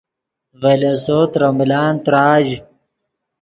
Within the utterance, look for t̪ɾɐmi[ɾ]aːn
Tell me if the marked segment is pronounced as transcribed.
no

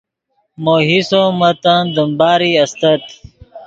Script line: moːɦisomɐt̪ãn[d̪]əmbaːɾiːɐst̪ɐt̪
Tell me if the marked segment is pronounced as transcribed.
yes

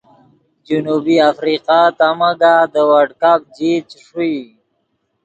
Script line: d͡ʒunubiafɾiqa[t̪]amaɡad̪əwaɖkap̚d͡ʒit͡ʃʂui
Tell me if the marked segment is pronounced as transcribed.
yes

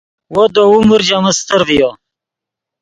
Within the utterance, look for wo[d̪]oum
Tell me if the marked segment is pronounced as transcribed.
yes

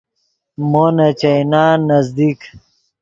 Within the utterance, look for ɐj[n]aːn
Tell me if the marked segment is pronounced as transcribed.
yes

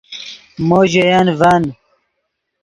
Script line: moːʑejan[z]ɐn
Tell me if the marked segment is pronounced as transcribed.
no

